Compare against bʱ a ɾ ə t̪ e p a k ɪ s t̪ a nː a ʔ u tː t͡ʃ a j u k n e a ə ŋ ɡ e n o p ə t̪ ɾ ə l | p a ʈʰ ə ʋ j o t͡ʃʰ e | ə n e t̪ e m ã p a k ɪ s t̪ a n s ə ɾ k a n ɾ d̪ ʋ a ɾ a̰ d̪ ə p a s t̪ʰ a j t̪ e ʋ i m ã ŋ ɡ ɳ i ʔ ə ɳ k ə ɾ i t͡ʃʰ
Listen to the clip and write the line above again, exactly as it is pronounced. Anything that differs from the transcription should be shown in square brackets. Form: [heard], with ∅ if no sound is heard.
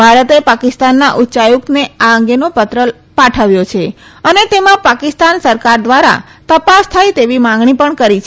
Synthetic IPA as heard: bʱ a ɾ ə t̪ e p a k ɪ s t̪ a nː a ʔ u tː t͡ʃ a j u k n e a ə ŋ ɡ e n o p ə t̪ ɾ ə l | p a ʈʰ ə ʋ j o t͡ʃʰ e | ə n e t̪ e m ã p a k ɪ s t̪ a n s ə ɾ k a [∅] ɾ d̪ ʋ a ɾ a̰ [t̪] ə p a s t̪ʰ a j t̪ e ʋ i m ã ŋ ɡ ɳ i [p] ə ɳ k ə ɾ i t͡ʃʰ